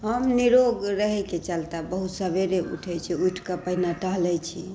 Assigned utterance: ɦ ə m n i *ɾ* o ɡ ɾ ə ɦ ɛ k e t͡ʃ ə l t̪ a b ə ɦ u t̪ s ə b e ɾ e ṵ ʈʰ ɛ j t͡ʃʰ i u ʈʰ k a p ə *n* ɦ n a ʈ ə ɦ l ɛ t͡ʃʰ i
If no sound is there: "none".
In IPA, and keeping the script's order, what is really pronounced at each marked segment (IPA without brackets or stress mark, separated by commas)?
ɾ, none